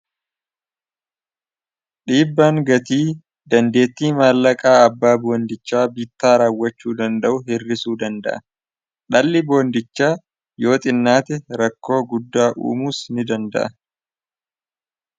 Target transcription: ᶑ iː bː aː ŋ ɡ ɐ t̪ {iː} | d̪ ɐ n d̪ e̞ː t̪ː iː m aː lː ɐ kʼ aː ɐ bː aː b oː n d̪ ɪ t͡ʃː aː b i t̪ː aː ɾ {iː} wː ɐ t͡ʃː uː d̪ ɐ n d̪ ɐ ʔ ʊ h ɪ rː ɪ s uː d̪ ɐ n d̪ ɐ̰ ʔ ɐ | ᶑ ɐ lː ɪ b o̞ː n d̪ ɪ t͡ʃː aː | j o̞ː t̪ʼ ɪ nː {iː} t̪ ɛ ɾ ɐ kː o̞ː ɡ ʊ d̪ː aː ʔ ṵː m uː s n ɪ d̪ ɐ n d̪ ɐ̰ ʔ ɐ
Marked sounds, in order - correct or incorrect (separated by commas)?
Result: correct, incorrect, incorrect